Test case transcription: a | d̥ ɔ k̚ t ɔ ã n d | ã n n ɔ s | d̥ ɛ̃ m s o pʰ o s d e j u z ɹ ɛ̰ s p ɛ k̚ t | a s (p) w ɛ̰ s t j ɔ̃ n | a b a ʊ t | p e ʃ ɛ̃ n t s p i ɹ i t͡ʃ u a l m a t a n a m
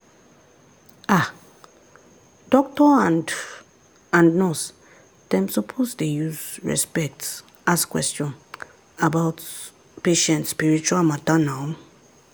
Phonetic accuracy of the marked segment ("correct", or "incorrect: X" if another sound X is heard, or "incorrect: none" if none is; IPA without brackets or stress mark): incorrect: k